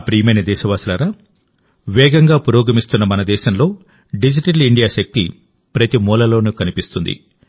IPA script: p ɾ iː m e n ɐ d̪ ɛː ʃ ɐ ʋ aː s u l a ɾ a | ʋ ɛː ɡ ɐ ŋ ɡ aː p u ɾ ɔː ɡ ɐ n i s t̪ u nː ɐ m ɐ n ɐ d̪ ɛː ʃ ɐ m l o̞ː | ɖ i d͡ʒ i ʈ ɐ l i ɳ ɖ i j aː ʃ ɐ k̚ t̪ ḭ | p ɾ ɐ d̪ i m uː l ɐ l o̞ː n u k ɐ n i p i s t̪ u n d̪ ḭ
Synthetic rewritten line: p ɾ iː m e n ɐ d̪ ɛː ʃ ɐ ʋ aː s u l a ɾ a | ʋ ɛː ɡ ɐ ŋ ɡ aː p u ɾ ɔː ɡ ɐ m i s t̪ u nː ɐ m ɐ n ɐ d̪ ɛː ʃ ɐ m l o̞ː | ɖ i d͡ʒ i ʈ ɐ l i ɳ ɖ i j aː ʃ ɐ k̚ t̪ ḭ | p ɾ ɐ t̪ i m uː l ɐ l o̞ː n u k ɐ n i p i s t̪ u n d̪ ḭ